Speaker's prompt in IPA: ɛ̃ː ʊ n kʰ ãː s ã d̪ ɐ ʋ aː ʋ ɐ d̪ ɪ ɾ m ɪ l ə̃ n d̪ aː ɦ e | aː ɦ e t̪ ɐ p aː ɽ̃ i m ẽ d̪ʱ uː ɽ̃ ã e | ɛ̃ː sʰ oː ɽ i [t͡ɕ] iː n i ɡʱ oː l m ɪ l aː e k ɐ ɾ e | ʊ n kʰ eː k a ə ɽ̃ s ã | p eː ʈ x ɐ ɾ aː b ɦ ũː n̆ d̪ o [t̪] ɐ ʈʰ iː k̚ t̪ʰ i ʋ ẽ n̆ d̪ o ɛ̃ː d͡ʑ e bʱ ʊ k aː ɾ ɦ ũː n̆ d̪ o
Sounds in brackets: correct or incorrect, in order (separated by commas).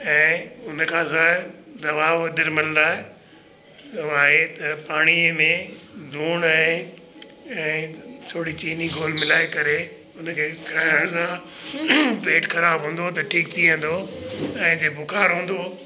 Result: correct, correct